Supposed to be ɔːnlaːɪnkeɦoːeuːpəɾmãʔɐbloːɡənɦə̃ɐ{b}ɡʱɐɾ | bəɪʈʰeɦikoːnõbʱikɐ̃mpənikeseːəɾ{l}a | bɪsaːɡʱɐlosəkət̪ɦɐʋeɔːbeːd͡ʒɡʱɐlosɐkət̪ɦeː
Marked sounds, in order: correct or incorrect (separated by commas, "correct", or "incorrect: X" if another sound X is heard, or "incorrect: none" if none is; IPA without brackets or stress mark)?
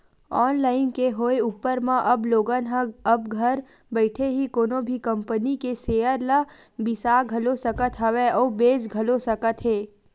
correct, correct